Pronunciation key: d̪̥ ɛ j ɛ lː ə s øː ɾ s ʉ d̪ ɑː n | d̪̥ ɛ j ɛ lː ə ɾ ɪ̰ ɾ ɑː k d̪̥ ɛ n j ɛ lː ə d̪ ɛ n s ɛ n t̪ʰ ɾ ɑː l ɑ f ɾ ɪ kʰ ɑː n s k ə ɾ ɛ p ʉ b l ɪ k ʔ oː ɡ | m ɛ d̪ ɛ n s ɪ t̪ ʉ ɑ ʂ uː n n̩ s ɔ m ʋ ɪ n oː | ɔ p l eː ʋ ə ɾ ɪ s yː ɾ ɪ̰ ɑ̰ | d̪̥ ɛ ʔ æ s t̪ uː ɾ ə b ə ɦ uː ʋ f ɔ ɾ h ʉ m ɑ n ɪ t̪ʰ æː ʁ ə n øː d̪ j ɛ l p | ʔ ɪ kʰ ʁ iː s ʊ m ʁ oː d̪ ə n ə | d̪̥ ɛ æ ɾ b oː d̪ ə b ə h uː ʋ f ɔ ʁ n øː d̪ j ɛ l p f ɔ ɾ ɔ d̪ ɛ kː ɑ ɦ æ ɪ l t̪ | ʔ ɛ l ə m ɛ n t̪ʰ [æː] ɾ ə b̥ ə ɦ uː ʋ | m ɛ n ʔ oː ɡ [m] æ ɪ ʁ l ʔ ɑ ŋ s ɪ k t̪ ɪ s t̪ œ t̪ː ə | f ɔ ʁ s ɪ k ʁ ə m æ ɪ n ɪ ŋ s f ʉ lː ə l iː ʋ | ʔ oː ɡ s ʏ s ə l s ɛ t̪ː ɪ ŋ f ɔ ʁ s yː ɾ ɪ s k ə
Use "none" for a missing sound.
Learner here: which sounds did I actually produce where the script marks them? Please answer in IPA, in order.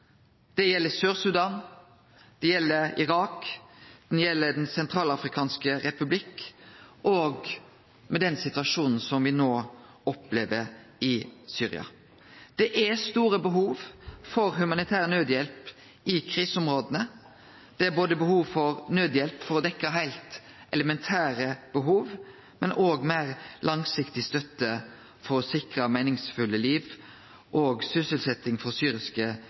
æː, m

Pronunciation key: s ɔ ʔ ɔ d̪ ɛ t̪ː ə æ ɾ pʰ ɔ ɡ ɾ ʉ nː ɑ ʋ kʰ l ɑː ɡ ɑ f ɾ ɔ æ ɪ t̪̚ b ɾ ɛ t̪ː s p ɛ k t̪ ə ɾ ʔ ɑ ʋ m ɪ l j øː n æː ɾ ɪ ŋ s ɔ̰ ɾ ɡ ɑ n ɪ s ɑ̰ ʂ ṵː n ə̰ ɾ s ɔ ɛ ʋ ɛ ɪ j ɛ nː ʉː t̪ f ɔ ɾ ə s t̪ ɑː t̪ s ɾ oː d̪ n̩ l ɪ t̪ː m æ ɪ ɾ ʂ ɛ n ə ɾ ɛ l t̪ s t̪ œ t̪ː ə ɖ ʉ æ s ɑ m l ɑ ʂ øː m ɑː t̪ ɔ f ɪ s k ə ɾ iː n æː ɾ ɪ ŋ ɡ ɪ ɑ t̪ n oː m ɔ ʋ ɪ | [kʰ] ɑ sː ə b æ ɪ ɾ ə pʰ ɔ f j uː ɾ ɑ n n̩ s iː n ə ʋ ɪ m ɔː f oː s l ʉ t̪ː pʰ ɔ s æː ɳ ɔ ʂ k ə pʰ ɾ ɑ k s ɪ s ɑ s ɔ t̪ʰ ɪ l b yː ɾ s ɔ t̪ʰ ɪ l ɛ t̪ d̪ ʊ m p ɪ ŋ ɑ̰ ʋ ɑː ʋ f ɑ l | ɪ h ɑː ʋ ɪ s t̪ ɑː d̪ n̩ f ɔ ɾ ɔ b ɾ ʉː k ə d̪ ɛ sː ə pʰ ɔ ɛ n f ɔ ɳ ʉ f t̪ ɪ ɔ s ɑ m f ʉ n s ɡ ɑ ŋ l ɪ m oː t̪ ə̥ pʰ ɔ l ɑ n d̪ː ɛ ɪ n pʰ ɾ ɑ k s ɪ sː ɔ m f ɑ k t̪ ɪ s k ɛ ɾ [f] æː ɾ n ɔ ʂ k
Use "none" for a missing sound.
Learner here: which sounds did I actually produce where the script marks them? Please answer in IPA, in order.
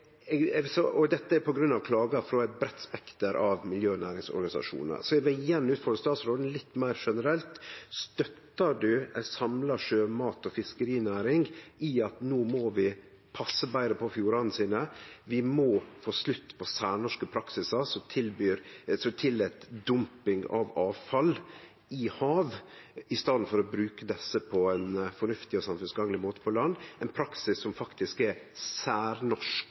pʰ, s

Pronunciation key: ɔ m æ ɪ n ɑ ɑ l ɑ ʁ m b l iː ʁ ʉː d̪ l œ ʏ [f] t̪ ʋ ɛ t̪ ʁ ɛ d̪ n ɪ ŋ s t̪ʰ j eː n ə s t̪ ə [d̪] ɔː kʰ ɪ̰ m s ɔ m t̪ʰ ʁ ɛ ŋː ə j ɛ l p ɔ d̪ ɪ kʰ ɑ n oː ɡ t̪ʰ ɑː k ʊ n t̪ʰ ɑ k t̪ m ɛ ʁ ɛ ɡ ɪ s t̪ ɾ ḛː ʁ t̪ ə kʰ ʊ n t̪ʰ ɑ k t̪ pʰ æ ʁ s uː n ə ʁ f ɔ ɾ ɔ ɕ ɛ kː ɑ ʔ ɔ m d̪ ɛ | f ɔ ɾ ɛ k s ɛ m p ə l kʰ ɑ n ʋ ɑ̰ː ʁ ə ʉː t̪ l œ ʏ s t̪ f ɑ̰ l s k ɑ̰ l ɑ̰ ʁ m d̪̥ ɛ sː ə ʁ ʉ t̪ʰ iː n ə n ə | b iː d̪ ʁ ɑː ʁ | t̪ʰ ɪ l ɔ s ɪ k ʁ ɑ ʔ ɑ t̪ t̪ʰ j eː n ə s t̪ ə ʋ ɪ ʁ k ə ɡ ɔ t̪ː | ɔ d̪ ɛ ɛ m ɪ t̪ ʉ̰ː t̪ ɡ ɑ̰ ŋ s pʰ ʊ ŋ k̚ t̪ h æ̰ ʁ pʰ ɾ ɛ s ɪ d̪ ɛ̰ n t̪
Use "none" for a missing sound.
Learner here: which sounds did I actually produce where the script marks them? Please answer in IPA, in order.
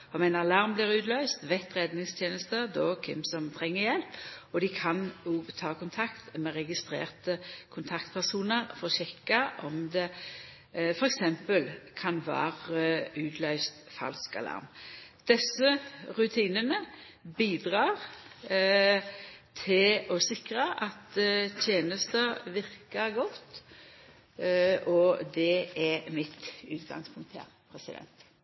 s, d̪

